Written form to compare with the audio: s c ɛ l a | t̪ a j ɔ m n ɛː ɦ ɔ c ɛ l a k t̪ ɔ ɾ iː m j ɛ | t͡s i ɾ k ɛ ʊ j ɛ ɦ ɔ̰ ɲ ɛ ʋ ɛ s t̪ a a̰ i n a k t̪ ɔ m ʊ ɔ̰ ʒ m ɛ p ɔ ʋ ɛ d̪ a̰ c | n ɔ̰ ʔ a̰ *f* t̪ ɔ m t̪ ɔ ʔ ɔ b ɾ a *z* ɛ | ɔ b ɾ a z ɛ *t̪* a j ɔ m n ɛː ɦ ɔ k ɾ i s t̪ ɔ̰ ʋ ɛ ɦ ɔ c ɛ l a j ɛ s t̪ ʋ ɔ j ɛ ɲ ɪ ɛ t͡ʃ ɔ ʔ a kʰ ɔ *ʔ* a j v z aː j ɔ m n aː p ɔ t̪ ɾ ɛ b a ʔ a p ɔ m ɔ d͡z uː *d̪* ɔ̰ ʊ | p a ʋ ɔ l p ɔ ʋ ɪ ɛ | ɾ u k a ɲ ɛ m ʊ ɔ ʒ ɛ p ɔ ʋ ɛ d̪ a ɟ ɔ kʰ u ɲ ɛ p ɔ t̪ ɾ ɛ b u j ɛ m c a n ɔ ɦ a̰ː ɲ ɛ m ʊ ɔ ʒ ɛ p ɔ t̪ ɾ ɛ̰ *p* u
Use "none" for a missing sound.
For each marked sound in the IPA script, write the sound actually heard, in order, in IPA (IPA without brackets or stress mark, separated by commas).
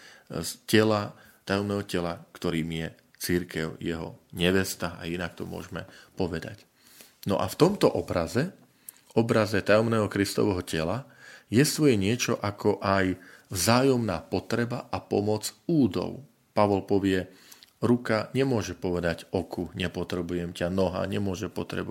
f, z, t̪, ʔ, d̪, b